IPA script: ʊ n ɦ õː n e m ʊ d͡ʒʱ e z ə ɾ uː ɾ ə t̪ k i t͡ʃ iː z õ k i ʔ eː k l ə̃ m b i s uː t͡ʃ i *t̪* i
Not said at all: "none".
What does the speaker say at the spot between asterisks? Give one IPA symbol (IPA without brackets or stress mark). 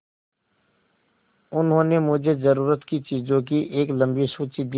d̪